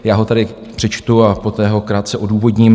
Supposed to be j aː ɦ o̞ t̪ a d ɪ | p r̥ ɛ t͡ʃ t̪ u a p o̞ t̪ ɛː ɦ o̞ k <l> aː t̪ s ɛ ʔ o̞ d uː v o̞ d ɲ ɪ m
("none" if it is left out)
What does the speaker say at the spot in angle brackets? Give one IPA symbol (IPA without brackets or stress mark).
ɾ